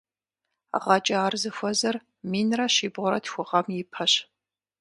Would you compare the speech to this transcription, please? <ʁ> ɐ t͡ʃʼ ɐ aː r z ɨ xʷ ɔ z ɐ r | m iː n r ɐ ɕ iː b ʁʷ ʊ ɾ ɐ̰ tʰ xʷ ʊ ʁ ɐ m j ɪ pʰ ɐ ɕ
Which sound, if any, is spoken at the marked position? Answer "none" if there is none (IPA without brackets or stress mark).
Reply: ʁ